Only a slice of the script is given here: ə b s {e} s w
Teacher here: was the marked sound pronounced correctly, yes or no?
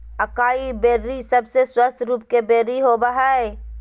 yes